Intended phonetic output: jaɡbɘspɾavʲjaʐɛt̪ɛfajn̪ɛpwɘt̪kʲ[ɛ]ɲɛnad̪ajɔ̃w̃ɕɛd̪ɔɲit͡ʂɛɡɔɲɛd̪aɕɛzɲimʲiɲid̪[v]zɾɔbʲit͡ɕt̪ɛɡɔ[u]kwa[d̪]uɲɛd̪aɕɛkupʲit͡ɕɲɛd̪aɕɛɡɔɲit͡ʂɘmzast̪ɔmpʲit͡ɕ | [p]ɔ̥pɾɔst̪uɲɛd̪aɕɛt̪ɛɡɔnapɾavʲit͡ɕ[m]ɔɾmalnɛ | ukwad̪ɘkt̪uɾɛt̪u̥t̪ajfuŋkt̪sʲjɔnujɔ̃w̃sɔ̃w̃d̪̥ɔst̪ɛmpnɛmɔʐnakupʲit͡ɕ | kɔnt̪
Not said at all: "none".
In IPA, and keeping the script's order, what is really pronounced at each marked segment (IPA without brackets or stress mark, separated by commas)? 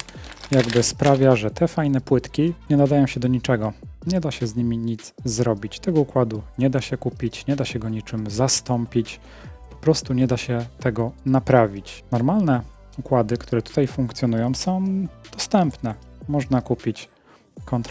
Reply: i, z, u, d̪, p, n